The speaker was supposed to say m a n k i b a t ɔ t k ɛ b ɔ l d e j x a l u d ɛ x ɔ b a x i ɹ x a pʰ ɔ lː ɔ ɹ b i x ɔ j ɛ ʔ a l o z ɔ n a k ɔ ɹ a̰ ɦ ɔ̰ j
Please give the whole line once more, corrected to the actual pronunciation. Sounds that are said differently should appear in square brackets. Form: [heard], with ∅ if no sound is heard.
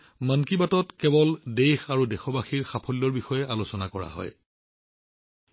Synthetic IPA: m a n k i b a t ɔ t k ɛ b ɔ l d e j x a [ɹ] u d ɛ x ɔ b a x i ɹ x a pʰ ɔ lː ɔ ɹ b i x ɔ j ɛ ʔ a l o [s] ɔ n a k ɔ ɹ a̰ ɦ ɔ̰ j